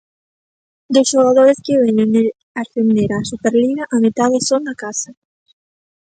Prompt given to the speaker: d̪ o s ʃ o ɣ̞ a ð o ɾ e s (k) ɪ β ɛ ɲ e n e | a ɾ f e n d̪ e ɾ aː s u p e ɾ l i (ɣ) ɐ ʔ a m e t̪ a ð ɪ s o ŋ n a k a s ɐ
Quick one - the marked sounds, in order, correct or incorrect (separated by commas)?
correct, correct